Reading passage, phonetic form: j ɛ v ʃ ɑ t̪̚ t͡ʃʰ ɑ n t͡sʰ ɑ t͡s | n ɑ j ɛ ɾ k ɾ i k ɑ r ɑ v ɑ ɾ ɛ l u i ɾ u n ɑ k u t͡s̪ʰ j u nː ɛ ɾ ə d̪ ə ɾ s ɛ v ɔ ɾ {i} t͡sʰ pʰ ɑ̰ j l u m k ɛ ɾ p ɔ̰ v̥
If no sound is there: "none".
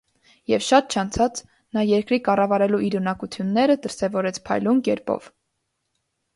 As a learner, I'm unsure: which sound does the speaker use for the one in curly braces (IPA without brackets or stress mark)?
ɛ